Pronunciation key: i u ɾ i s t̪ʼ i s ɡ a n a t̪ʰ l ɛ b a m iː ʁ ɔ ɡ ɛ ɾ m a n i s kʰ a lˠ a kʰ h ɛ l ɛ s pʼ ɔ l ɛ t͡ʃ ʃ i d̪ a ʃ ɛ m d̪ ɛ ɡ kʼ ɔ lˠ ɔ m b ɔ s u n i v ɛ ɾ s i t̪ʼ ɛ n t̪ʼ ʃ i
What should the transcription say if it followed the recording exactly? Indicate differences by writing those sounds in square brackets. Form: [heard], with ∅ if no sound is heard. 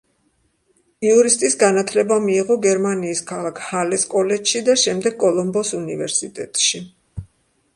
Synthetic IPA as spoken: i u ɾ i s t̪ʼ i s ɡ a n a t̪ʰ l ɛ b a m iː ʁ ɔ ɡ ɛ ɾ m a n [iː] s kʰ a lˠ a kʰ h [a] l ɛ s [kʼ] ɔ l ɛ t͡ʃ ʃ i d̪ a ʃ ɛ m d̪ ɛ ɡ kʼ ɔ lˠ ɔ m b ɔ s u n i v ɛ ɾ s i t̪ʼ ɛ [∅] t̪ʼ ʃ i